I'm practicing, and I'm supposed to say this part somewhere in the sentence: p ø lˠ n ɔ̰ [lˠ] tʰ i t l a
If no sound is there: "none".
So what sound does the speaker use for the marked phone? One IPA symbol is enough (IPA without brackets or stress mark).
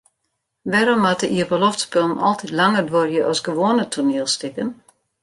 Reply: lˠ